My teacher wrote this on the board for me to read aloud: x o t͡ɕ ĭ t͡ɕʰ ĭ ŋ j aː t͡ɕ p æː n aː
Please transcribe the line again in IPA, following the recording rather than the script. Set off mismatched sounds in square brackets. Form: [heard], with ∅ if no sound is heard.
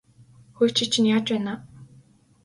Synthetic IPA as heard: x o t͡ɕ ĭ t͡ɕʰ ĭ [n] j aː t͡ɕ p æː n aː